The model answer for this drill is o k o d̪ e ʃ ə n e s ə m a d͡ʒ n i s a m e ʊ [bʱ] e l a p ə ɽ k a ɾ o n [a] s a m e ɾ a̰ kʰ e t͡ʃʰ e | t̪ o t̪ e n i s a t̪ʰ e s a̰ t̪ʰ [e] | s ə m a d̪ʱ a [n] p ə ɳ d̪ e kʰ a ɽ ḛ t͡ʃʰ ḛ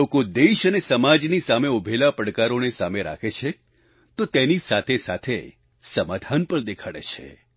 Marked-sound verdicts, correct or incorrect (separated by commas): correct, incorrect, correct, correct